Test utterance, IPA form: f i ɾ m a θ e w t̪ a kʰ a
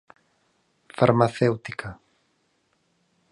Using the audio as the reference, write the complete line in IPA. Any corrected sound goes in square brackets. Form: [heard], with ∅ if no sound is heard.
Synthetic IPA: f [a] ɾ m a θ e w t̪ [i] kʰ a